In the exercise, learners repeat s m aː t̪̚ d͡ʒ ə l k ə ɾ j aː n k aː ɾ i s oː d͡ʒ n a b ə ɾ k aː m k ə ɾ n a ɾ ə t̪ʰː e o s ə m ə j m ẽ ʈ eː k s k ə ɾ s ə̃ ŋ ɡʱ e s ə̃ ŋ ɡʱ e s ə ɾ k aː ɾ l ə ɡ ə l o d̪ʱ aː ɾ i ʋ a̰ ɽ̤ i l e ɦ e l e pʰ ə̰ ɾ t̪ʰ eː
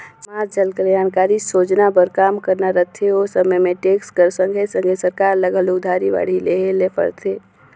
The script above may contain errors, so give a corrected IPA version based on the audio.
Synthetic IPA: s m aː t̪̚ d͡ʒ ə l k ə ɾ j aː n k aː ɾ i s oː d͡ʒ n a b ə ɾ k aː m k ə ɾ n a ɾ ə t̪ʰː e o s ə m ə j m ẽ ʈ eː k s k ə ɾ s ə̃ ŋ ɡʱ e s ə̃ ŋ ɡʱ e s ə ɾ k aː ɾ l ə ɡ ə l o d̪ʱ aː ɾ i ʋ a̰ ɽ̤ i l e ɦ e l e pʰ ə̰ ɾ t̪ʰ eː